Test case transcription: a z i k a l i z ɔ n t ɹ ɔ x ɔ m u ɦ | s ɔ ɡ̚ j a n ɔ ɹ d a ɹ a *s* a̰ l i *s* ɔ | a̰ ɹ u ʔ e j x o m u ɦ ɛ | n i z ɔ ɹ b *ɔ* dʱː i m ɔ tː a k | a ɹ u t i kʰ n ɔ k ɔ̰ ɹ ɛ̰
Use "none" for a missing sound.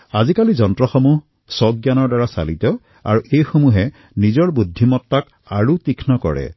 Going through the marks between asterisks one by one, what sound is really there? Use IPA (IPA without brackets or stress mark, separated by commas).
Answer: s, t, u